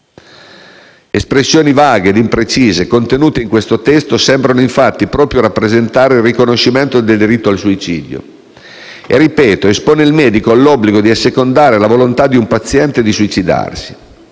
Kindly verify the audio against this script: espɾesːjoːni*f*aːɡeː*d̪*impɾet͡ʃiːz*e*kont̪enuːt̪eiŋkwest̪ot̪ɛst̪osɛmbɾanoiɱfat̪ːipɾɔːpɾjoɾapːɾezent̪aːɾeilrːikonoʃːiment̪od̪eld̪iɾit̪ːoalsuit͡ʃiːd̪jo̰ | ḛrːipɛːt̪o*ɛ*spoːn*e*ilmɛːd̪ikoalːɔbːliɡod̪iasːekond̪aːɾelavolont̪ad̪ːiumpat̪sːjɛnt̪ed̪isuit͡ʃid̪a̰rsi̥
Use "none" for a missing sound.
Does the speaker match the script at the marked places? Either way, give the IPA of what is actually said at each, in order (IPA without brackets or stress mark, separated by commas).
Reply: v, d̪, e, e, e